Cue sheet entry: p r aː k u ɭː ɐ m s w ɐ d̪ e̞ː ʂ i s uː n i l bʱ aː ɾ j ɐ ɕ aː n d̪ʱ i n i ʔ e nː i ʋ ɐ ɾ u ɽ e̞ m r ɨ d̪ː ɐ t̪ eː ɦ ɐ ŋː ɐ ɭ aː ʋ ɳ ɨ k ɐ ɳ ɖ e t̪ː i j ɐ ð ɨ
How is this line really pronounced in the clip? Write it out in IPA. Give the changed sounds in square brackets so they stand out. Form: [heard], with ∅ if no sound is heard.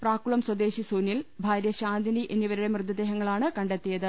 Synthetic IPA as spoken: p r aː k u [ɭ] ɐ m s w ɐ d̪ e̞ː [ɕ] i s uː n i l bʱ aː ɾ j ɐ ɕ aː n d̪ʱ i n i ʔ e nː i ʋ ɐ ɾ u ɽ e̞ m r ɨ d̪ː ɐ [d̪] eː ɦ ɐ ŋː ɐ ɭ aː [∅] ɳ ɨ k ɐ ɳ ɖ e t̪ː i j ɐ ð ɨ